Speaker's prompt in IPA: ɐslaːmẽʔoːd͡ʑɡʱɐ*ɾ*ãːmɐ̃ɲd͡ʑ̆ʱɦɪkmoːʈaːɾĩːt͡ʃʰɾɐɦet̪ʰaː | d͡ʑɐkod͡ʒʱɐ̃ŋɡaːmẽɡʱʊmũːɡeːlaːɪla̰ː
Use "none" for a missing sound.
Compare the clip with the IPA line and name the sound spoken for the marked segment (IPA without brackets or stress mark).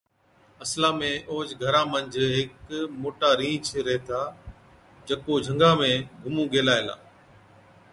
ɾ